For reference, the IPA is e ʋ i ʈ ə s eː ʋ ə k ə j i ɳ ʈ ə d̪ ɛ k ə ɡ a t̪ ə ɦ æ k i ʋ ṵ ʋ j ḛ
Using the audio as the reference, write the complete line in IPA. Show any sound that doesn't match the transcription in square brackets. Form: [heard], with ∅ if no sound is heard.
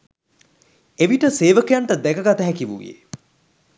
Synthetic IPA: e ʋ i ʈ ə s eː ʋ ə k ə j [a] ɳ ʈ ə d̪ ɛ k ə ɡ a t̪ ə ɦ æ k i ʋ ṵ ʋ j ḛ